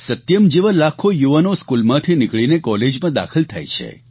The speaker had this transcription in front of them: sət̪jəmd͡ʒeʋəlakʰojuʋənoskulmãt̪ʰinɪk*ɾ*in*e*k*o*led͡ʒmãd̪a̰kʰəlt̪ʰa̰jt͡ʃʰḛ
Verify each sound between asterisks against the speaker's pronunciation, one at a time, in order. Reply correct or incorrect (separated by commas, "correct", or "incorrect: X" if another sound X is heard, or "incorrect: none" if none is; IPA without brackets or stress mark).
incorrect: ɭ, correct, incorrect: ɔ